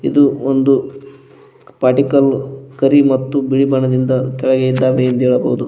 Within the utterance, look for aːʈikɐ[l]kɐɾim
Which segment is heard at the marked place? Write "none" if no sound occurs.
l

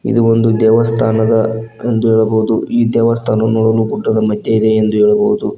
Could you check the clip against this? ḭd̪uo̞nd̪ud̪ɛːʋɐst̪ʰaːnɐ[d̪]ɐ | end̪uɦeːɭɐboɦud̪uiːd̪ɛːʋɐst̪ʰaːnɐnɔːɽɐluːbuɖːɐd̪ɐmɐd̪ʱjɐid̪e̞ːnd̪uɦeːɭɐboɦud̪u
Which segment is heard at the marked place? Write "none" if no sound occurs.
d̪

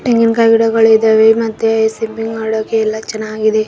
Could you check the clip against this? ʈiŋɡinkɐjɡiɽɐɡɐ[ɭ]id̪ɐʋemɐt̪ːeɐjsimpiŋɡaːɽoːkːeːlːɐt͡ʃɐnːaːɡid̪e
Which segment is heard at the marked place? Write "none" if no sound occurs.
ɭ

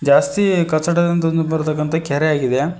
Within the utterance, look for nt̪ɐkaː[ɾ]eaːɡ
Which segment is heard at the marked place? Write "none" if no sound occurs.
ɾ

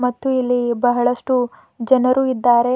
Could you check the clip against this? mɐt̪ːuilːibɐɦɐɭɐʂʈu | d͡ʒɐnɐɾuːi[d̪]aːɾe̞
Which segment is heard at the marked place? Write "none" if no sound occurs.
d̪ː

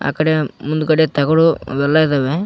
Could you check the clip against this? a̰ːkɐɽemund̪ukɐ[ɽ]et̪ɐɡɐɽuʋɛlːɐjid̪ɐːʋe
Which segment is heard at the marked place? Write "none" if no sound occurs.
ɽ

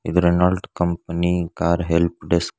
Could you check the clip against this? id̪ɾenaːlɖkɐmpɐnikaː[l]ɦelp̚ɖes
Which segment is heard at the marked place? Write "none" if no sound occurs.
ɾ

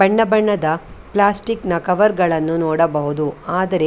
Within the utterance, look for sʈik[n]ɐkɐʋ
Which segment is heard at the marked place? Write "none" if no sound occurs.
n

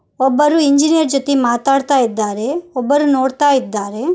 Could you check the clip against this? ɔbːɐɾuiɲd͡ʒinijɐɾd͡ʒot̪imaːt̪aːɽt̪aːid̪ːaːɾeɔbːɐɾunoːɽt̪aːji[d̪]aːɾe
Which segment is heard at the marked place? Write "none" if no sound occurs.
d̪ː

